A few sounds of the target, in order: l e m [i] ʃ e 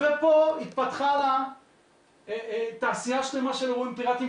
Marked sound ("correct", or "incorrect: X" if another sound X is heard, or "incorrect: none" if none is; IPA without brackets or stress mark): incorrect: a